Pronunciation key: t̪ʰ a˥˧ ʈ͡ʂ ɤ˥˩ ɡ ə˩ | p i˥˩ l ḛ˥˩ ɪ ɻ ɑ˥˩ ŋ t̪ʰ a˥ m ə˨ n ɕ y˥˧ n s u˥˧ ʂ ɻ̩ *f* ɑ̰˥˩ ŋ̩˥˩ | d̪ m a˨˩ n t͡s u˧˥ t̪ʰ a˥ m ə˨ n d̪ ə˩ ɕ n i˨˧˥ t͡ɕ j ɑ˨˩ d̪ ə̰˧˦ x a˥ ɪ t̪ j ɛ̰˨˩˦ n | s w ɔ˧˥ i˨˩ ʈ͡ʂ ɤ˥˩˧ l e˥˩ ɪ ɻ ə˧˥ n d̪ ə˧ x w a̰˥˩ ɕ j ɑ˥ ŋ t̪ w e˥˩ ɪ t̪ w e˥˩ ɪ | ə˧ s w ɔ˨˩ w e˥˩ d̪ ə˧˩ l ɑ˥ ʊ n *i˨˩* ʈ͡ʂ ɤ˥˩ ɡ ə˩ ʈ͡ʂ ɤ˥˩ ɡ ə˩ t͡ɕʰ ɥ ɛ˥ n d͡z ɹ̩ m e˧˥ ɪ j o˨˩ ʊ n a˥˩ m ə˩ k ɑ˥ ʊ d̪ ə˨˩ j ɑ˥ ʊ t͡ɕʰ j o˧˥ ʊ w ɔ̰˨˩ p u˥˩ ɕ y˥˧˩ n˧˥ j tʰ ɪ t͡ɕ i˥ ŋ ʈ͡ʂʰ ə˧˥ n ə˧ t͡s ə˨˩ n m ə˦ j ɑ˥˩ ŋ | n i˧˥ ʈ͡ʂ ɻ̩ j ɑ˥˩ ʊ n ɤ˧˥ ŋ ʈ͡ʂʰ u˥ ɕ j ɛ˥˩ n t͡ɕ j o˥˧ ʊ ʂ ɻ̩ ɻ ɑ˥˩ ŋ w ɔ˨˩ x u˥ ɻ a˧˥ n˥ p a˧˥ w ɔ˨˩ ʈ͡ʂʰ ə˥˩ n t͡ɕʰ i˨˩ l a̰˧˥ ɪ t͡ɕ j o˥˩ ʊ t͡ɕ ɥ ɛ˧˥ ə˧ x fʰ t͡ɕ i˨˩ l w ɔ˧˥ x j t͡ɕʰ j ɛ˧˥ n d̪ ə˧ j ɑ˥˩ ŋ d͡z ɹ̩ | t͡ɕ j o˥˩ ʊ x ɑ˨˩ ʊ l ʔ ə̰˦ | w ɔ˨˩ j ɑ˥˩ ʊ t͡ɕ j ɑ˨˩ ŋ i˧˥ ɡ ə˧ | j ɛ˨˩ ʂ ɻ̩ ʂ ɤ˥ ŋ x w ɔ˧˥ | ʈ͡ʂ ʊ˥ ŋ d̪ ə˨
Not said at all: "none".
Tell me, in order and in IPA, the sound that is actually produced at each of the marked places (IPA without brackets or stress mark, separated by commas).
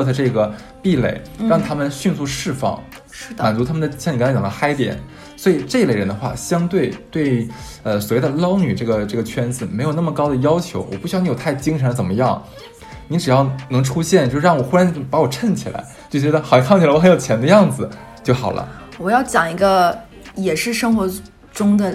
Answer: f, y˨˩